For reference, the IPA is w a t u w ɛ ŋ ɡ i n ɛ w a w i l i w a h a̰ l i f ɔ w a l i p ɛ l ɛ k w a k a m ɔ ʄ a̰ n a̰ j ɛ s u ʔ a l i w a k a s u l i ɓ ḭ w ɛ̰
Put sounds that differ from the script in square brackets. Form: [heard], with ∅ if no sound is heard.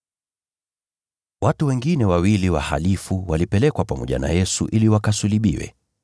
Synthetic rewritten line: w a t u w ɛ ŋ ɡ i n ɛ w a w i l i w a h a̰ l i f [u] w a l i p ɛ l ɛ k w a [p] a m ɔ ʄ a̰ n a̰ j ɛ s u ʔ [i] l i w a k a s u l i ɓ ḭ w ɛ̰